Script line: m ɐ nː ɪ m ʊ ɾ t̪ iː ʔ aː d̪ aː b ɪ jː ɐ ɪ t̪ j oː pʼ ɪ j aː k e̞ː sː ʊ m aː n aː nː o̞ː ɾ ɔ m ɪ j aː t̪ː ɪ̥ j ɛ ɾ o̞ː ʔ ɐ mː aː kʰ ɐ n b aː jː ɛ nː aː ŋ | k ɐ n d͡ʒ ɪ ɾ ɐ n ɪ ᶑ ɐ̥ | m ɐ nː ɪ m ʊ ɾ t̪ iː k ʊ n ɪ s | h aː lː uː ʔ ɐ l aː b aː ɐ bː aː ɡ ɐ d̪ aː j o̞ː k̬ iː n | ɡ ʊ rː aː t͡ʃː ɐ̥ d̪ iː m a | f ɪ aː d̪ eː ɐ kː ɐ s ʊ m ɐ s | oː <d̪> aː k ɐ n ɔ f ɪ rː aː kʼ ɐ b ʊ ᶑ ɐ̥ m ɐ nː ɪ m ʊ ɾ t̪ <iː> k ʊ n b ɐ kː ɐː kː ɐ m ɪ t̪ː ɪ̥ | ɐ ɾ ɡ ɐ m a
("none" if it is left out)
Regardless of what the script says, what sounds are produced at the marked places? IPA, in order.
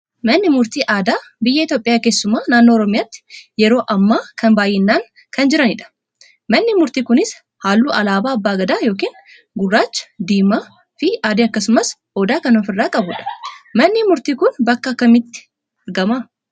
d̪, iː

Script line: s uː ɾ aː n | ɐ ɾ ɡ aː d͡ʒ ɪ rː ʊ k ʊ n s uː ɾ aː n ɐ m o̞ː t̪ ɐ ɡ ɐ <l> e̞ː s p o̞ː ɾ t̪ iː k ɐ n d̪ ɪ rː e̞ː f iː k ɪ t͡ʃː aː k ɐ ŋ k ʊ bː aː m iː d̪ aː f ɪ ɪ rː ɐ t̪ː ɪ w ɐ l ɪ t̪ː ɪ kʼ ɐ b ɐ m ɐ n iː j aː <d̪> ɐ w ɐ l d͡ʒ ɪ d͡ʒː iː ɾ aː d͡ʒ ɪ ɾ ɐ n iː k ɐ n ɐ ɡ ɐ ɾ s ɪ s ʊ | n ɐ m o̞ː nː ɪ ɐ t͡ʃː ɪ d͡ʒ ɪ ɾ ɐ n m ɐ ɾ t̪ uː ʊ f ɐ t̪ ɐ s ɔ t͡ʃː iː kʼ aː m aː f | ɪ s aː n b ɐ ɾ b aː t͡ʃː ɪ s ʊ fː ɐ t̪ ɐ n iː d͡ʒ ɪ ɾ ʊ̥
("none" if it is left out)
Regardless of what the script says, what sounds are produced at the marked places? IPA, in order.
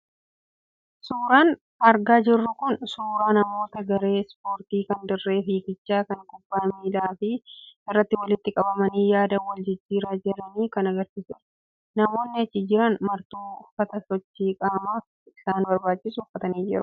ɾ, d̪

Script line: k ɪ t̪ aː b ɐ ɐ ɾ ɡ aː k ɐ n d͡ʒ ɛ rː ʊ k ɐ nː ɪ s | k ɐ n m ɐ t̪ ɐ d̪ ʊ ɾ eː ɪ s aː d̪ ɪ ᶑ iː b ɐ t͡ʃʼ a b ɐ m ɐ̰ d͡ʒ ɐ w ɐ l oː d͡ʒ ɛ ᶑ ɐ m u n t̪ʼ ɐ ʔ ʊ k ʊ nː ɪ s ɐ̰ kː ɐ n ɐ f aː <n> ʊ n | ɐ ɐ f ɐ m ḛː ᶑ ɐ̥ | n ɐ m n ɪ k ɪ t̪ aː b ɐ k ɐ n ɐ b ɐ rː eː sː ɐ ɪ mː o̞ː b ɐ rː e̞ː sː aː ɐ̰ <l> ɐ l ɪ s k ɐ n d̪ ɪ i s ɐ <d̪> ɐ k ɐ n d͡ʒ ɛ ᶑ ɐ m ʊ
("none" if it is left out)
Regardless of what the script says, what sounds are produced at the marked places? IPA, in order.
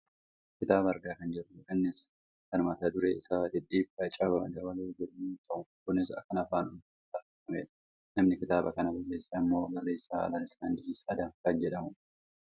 n, l, d̪

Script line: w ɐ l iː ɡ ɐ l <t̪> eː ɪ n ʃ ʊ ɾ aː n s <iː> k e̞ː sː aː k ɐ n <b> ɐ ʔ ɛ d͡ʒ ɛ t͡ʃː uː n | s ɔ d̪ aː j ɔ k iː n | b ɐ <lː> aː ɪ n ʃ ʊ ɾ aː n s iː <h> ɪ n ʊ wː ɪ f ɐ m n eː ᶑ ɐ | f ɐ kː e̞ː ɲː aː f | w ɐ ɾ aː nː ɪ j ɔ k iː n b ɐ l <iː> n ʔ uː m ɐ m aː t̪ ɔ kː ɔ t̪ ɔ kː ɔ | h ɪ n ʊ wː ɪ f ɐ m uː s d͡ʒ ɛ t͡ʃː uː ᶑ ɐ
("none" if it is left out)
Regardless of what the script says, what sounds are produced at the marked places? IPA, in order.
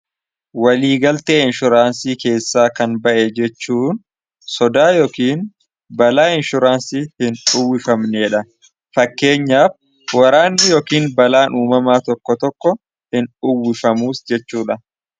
t̪, iː, b, l, h, aː

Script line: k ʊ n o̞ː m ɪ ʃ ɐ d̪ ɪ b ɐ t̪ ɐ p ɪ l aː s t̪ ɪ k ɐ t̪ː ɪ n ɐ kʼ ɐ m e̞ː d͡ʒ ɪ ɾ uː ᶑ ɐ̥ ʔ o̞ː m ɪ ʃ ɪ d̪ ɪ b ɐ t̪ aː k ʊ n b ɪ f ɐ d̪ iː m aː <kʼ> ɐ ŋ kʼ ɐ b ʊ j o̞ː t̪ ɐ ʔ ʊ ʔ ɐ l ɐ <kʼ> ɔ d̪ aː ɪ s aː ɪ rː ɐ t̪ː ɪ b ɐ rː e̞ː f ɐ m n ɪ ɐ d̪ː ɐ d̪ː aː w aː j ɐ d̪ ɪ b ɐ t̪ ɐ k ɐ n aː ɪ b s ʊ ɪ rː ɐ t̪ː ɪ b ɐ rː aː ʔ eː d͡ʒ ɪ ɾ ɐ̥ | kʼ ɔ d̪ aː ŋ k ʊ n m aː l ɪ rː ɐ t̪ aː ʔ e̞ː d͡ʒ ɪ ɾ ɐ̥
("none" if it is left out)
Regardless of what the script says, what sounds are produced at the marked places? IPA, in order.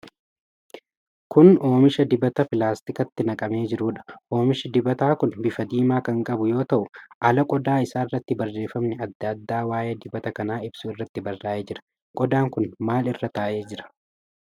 k, kʼ

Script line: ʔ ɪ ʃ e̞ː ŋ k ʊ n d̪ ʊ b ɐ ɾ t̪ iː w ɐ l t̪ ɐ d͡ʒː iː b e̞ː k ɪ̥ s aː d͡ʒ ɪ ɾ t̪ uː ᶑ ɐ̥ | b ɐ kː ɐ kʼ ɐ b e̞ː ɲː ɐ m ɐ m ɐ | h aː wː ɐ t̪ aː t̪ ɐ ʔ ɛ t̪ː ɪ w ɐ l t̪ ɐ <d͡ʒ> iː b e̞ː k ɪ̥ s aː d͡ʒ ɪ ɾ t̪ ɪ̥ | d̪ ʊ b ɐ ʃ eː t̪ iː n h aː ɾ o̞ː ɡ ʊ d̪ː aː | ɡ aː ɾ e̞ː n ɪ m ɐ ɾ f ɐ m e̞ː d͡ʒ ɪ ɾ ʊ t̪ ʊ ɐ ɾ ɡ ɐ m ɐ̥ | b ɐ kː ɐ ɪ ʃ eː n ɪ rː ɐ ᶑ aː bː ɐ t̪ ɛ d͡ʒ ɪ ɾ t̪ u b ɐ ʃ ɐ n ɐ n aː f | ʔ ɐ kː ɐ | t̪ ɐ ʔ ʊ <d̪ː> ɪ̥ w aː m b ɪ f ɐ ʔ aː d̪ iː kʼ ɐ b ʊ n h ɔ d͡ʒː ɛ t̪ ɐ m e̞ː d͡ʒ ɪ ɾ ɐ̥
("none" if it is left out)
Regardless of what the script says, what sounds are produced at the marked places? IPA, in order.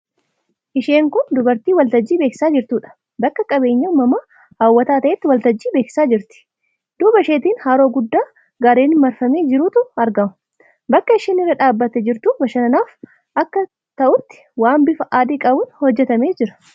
d͡ʒː, t̪ː

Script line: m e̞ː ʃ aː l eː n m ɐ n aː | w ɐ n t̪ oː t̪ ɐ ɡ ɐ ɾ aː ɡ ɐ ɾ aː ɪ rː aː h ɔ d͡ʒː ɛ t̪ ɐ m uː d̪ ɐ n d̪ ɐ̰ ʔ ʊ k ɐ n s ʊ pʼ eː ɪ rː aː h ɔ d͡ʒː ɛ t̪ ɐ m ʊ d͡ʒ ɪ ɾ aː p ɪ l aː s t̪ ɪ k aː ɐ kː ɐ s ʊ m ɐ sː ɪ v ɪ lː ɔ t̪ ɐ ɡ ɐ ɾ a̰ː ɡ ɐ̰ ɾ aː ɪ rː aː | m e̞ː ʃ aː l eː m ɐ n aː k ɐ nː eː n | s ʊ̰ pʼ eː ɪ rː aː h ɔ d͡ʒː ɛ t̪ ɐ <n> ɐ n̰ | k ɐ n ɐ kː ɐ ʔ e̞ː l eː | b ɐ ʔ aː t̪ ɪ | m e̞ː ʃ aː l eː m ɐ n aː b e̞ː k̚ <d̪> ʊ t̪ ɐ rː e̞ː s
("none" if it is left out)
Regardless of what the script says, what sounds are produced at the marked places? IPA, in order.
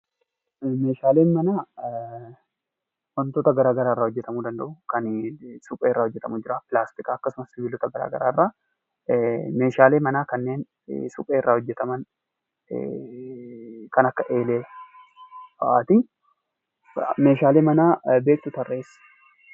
m, t̪

